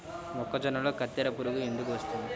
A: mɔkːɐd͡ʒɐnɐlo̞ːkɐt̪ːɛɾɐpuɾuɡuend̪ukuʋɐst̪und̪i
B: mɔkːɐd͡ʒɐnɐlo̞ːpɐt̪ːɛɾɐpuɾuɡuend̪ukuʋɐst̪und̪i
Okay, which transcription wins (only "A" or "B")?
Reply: A